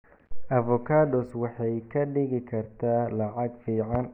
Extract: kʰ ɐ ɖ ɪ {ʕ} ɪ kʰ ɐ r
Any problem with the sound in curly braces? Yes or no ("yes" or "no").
yes